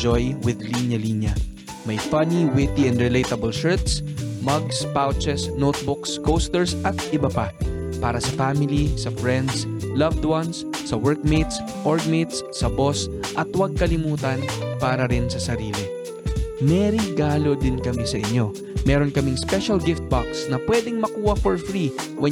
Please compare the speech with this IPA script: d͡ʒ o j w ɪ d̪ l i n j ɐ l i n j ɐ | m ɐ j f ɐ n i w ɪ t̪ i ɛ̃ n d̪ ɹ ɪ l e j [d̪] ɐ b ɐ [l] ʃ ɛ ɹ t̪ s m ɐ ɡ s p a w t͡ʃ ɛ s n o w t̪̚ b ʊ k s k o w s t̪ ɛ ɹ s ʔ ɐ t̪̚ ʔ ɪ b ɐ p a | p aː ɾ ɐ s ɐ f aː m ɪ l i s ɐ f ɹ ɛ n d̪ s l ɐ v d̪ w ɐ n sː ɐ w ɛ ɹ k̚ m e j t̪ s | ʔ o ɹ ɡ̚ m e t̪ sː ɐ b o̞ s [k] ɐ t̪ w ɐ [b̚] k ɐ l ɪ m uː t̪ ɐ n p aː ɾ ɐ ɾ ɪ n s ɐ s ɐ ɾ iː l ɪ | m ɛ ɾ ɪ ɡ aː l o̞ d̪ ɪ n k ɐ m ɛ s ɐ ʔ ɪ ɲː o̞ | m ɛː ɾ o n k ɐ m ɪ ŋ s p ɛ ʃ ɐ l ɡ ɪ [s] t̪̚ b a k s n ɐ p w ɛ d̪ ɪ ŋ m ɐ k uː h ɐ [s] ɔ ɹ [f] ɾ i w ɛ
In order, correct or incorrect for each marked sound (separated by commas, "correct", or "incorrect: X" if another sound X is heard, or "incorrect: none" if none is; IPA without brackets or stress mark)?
incorrect: t̪, correct, incorrect: ʔ, incorrect: ɡ̚, incorrect: f, incorrect: f, correct